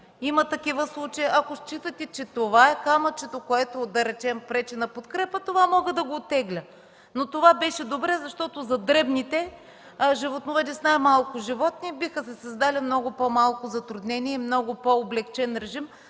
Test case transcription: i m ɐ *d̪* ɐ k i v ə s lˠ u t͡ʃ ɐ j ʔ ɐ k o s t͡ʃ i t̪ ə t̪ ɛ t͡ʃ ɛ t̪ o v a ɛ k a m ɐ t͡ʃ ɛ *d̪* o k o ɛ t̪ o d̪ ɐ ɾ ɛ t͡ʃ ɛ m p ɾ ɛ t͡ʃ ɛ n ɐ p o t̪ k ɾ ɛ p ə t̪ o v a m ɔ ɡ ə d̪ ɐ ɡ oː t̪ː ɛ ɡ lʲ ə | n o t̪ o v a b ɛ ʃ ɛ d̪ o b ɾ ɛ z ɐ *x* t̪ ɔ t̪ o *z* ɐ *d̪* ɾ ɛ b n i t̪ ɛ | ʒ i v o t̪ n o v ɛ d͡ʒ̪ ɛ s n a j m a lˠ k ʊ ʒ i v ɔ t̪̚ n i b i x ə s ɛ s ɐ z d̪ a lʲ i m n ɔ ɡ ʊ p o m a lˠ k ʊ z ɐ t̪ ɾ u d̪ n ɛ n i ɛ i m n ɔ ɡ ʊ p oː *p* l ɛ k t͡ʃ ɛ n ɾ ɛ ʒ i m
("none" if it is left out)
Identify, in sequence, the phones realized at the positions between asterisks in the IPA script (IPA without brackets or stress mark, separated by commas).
t̪, t̪, ʃ, z, d̪, b